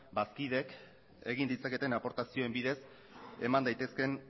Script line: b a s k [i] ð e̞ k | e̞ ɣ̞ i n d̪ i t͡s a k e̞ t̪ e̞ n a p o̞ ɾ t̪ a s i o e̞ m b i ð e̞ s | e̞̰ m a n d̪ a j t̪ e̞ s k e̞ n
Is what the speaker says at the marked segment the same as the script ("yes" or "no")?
yes